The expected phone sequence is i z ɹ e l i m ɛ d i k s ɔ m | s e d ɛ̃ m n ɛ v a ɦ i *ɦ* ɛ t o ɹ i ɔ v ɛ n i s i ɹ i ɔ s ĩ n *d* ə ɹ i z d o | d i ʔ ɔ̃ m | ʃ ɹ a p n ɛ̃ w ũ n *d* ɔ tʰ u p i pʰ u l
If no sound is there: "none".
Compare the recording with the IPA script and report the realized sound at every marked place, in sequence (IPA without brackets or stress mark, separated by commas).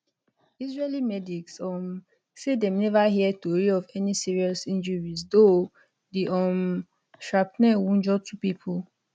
none, d͡ʒ, d͡ʒ